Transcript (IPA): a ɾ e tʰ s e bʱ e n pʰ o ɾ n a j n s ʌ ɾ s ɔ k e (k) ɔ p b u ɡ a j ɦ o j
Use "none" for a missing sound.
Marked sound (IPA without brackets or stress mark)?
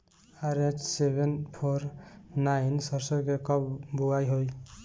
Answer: k